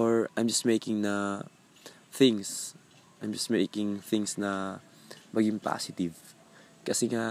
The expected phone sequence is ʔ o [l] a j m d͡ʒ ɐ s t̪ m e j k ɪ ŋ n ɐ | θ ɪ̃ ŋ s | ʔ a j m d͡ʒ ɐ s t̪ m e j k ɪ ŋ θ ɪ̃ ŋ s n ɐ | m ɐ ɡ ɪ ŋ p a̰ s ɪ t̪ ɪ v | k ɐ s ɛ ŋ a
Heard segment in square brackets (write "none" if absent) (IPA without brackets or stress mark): ɹ